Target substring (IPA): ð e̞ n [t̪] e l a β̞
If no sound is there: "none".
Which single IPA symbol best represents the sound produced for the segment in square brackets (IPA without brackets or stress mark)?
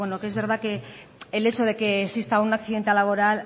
t̪